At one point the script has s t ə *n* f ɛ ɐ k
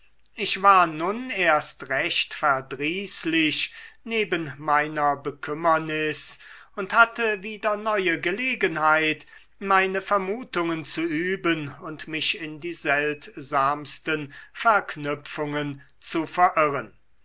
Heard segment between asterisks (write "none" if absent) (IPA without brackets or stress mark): n